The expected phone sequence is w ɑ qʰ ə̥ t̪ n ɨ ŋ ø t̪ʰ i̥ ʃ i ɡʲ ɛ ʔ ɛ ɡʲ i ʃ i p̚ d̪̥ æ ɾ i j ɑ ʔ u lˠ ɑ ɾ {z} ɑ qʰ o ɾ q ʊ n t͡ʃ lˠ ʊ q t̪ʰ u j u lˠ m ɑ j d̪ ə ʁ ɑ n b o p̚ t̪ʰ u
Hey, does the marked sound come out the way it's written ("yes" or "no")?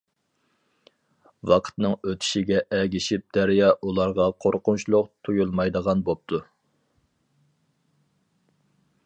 no